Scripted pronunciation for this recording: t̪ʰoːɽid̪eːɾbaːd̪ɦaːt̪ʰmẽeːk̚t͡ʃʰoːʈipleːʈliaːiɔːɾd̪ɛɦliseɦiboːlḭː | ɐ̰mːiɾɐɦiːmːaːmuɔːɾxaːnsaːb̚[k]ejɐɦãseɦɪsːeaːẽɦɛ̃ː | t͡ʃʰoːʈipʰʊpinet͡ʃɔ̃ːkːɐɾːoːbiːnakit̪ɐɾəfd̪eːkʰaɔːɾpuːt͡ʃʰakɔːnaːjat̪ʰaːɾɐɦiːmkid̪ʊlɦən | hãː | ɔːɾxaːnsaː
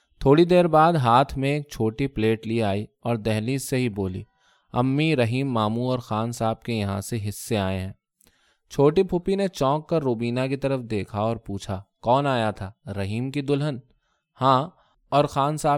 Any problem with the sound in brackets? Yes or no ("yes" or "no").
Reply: no